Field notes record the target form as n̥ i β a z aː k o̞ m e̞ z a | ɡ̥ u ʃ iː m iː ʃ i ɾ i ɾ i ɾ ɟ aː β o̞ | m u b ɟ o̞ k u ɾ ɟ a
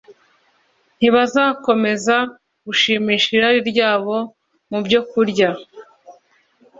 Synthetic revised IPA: n̥ i β a z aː k o̞ m e̞ z a | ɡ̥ u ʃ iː m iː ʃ i ɾ a ɾ i ɾ ɟ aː β o̞ | m u b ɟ o̞ k u ɾ ɟ a